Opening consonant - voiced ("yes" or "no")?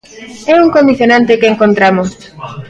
yes